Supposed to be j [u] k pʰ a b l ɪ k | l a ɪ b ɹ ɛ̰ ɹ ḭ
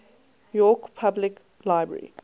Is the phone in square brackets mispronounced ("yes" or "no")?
yes